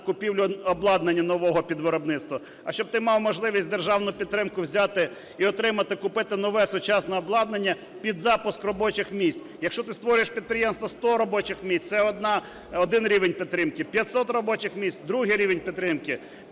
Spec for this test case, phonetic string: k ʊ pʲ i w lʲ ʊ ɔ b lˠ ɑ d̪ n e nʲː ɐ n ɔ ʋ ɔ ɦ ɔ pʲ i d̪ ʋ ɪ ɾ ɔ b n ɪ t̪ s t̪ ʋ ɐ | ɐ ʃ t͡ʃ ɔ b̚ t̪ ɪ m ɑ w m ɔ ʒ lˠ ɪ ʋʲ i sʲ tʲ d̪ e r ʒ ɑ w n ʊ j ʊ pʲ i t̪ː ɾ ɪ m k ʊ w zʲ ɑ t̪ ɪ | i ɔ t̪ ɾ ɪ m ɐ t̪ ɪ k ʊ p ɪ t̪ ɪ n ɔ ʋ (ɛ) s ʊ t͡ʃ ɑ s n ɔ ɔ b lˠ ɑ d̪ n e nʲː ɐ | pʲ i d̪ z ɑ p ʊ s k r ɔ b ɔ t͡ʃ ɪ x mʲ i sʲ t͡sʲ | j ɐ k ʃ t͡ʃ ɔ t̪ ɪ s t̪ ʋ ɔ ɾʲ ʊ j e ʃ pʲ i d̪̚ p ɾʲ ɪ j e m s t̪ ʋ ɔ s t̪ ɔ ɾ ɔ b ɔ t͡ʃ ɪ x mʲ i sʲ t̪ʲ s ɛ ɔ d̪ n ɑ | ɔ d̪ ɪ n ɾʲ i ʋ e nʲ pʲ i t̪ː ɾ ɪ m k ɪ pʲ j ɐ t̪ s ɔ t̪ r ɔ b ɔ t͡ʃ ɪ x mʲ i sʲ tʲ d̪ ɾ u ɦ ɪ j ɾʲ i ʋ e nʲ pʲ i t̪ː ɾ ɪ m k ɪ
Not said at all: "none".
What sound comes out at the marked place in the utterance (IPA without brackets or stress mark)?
ɛ